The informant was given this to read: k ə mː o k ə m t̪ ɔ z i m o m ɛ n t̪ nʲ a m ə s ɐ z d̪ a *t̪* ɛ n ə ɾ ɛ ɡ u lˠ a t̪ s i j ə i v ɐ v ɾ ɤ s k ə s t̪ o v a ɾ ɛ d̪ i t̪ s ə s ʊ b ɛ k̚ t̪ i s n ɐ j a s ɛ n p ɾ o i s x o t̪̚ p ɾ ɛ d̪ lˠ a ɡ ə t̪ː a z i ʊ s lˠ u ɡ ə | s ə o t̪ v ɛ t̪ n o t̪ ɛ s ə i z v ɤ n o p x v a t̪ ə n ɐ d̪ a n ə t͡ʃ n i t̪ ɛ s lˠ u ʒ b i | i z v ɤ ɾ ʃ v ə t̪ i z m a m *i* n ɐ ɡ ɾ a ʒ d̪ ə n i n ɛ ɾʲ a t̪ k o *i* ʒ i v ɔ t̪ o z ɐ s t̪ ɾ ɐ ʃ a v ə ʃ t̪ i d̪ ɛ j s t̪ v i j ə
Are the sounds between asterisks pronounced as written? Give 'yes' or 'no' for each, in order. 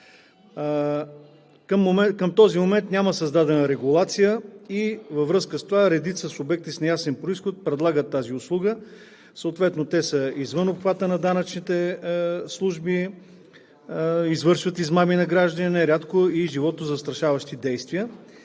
no, yes, yes

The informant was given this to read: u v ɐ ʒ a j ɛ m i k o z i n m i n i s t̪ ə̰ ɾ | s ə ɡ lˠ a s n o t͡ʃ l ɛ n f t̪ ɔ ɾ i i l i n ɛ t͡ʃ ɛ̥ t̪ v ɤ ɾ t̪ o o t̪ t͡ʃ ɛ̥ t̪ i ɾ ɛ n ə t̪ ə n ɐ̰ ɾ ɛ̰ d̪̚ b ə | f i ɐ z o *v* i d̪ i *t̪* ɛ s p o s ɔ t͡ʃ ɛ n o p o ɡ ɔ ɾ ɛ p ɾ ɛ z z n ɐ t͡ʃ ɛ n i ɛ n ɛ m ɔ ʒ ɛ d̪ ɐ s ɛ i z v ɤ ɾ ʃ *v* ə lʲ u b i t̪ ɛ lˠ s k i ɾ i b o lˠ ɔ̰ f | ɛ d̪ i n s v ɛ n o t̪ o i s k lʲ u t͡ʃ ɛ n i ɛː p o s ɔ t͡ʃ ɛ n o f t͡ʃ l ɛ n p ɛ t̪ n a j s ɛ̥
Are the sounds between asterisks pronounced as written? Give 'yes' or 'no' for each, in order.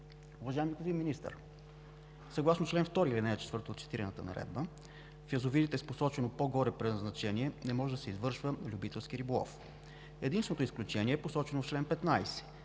yes, yes, yes

